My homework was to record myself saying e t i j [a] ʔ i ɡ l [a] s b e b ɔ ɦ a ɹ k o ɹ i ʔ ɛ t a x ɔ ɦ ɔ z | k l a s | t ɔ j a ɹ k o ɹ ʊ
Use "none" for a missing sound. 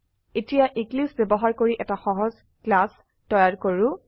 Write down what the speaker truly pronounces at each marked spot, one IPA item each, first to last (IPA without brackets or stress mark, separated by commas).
a, i